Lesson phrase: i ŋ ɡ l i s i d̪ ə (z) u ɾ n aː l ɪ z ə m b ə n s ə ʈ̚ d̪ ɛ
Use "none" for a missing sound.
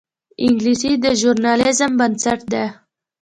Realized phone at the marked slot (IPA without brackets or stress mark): ʒ